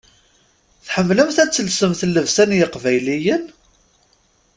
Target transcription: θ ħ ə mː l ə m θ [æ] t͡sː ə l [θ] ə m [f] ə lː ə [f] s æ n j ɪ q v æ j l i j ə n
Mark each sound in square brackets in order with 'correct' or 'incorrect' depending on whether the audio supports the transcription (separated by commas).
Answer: correct, incorrect, incorrect, incorrect